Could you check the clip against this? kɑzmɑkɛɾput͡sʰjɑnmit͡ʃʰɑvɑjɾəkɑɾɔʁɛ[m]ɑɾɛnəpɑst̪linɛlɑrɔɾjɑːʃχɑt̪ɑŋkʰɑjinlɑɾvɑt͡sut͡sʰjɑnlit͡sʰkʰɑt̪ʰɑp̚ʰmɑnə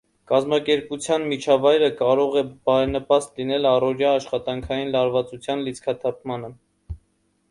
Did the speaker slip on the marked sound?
yes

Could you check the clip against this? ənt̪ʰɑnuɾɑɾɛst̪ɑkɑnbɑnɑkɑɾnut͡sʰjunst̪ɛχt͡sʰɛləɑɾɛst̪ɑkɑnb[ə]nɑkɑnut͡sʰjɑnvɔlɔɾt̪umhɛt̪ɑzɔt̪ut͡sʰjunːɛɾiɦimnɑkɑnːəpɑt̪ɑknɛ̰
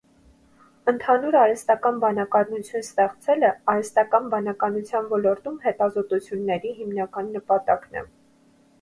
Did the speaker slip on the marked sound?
yes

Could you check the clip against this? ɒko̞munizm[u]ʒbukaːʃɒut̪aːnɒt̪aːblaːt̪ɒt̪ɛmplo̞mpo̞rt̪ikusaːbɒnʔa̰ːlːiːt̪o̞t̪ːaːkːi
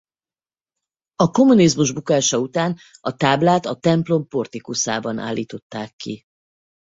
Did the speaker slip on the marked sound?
no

